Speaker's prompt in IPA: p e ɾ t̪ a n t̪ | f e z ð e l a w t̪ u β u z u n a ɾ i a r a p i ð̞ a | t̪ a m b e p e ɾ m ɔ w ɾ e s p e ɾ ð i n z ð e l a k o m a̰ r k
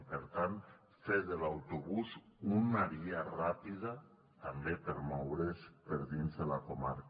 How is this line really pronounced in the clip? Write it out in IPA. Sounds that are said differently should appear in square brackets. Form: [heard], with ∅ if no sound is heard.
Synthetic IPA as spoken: p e ɾ t̪ a n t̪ | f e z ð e l a w t̪ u β u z u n a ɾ i a r a p i ð̞ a | t̪ a m b e p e ɾ m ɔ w ɾ e s p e ɾ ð i n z ð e l a k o m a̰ [ɾ] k

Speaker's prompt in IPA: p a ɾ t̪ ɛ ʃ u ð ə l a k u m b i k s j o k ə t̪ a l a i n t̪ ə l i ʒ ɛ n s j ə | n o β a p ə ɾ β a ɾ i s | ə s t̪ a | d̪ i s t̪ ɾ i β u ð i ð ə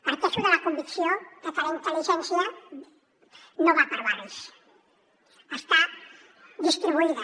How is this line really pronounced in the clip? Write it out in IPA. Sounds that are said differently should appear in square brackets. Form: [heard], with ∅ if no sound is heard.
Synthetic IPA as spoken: p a ɾ t̪ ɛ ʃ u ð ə l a k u m b i k s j o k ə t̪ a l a i n t̪ ə l i ʒ ɛ n s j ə | n o β a p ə ɾ β a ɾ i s | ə s t̪ a | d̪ i s t̪ ɾ i β u [∅] i ð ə

